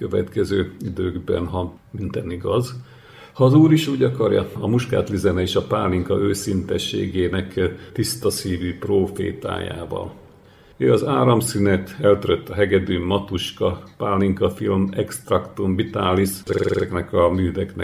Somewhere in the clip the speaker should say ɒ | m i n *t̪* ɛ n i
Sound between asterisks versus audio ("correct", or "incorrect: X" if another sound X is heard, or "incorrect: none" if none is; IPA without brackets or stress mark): correct